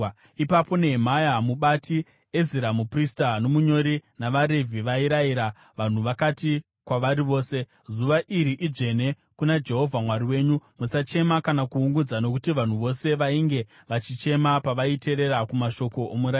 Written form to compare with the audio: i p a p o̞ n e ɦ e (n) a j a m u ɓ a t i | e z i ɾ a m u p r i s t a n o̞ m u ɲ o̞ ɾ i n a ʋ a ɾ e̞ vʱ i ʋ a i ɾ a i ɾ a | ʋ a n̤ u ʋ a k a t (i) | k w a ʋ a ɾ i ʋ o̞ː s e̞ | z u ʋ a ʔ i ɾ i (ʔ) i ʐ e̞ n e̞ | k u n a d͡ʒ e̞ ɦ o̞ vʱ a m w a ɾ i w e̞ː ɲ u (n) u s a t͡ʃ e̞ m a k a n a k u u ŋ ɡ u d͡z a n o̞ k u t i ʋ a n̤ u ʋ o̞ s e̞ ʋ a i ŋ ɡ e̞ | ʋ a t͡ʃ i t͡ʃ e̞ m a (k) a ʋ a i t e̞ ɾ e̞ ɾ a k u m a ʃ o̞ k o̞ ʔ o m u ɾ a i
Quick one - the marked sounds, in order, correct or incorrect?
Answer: incorrect: m, correct, correct, incorrect: m, incorrect: p

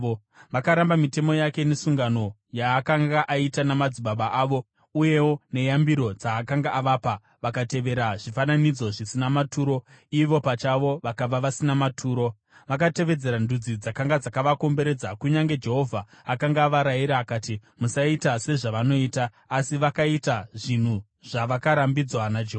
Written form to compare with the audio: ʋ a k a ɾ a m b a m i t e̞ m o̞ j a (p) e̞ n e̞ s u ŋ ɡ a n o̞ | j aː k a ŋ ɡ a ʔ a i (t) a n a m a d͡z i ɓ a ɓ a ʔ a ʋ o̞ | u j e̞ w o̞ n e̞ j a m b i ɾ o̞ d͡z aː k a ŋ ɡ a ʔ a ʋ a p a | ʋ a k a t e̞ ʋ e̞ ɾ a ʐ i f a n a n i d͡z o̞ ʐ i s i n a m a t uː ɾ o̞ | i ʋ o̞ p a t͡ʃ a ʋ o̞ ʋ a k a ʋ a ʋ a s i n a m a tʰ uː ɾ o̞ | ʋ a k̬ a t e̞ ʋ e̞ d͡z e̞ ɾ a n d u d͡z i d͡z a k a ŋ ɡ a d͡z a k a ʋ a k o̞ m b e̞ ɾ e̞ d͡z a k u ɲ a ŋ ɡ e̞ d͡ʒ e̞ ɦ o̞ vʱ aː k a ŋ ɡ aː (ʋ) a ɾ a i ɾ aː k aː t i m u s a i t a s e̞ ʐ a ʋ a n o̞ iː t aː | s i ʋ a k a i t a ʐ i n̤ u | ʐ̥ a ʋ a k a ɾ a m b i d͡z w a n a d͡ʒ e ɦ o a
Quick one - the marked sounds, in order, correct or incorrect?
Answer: incorrect: k, correct, correct

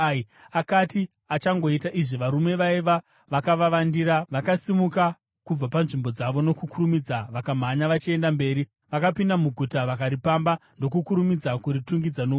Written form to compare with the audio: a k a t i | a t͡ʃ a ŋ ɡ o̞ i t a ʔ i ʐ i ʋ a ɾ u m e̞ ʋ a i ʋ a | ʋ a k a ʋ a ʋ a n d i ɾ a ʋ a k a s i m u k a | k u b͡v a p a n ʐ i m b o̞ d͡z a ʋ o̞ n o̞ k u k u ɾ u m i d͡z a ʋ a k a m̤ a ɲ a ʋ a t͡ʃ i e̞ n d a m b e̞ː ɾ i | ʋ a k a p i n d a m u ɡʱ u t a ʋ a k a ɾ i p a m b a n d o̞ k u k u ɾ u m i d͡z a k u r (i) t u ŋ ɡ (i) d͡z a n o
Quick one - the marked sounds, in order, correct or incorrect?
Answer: correct, correct

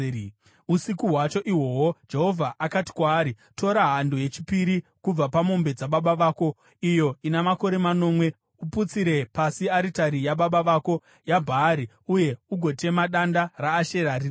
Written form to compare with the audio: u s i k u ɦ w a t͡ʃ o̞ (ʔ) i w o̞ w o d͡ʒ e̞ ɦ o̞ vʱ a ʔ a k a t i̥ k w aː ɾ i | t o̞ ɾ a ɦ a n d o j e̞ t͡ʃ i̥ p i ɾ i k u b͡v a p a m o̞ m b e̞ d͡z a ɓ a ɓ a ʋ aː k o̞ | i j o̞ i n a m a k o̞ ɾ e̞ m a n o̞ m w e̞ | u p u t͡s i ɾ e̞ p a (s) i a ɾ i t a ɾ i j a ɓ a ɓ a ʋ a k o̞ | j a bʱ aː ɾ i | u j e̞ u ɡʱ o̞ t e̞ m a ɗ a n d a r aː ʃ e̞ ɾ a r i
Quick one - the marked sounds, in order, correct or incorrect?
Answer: correct, correct

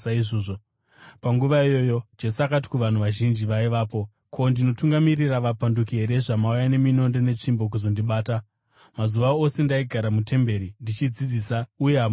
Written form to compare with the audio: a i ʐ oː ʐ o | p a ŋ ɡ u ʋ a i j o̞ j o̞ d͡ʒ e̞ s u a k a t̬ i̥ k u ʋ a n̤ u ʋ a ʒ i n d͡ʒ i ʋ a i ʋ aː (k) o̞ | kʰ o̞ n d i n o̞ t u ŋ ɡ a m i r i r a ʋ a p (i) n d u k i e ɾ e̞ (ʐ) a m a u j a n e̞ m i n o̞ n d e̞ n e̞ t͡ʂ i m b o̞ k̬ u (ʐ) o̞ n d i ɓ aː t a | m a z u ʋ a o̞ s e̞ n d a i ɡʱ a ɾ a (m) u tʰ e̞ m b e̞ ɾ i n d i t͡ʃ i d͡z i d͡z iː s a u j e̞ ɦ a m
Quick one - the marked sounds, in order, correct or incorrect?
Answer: incorrect: p, incorrect: a, correct, incorrect: z, correct

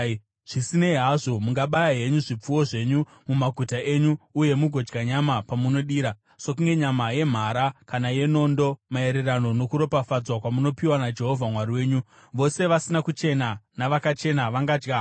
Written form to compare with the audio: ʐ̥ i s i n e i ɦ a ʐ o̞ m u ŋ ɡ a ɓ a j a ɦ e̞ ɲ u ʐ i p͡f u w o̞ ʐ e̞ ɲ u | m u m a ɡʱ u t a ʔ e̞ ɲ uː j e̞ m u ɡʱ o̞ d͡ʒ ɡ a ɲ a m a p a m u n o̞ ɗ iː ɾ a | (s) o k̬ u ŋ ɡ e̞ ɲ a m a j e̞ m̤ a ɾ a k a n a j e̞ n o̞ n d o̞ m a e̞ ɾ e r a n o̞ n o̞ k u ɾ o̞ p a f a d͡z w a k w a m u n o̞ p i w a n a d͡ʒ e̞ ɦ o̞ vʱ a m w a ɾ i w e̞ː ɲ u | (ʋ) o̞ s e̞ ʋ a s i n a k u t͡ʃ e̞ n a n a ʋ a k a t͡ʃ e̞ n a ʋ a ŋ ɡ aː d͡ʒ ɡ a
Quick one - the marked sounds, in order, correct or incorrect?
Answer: correct, correct

